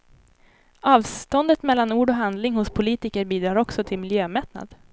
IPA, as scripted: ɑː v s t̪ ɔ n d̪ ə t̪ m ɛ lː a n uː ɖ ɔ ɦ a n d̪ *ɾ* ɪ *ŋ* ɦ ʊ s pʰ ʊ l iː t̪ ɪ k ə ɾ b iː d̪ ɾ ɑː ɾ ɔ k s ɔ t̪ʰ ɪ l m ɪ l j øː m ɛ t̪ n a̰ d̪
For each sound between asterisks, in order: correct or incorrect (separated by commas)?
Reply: incorrect, correct